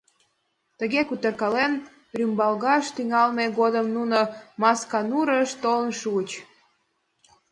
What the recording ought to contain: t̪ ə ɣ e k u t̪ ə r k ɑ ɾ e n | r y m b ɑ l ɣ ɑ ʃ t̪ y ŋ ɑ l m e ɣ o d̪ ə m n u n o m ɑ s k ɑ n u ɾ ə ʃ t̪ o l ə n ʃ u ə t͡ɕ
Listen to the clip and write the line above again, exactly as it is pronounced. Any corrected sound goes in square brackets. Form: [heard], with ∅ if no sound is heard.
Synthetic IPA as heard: t̪ ə ɣ e k u t̪ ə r k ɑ [l] e n | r y m b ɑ l ɣ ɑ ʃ t̪ y ŋ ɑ l m e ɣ o d̪ ə m n u n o m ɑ s k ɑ n u ɾ ə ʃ t̪ o l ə n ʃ u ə t͡ɕ